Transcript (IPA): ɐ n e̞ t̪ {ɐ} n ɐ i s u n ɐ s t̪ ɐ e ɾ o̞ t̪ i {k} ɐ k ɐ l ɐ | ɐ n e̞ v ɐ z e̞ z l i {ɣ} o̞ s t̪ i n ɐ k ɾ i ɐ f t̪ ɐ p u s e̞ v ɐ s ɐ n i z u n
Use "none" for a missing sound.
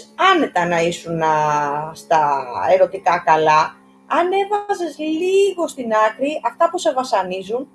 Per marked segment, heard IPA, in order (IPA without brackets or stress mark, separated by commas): ɐ, k, ɣ